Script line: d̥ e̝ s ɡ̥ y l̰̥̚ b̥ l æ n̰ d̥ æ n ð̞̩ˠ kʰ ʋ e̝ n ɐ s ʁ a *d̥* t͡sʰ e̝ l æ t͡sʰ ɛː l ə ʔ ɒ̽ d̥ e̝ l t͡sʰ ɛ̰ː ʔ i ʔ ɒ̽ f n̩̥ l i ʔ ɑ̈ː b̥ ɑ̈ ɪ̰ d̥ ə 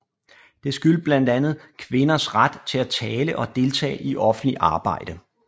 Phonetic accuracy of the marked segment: correct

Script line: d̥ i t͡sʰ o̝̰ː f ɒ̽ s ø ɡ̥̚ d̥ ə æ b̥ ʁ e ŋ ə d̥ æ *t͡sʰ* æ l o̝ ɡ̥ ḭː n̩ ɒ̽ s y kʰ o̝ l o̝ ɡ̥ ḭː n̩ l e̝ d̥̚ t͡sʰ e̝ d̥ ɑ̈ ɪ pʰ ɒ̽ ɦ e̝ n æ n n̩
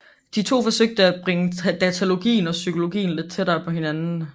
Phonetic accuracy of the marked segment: correct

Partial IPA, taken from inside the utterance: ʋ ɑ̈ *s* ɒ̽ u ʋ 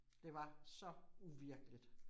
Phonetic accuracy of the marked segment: correct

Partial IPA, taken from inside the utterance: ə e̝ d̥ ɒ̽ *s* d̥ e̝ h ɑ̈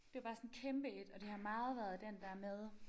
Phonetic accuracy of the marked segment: incorrect: none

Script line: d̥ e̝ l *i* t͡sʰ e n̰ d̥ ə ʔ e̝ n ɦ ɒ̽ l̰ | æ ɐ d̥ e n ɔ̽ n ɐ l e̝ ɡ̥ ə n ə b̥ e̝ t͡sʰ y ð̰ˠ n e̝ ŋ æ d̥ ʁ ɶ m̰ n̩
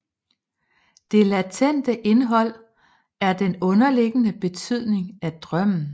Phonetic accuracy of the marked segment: incorrect: æ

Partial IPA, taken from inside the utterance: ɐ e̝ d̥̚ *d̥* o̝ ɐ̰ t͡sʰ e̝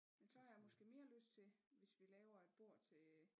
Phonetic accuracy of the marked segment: incorrect: b̥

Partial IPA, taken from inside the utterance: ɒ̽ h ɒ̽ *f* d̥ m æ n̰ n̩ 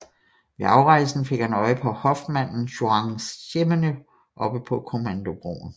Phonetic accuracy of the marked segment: correct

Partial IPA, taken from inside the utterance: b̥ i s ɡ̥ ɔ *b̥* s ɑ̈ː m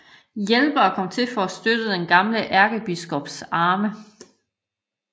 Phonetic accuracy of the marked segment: correct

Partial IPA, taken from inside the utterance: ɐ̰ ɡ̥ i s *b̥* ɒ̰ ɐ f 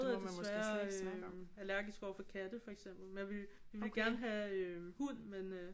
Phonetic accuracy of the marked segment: incorrect: ɡ̥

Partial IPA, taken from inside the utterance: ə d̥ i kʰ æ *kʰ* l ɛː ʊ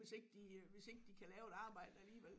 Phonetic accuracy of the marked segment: incorrect: none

